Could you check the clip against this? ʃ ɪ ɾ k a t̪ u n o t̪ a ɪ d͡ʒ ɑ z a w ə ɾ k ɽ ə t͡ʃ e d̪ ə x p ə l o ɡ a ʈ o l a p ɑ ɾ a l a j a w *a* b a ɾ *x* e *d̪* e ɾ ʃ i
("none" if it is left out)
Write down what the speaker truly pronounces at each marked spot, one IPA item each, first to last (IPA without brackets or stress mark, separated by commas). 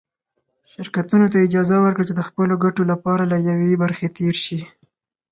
e, x, t̪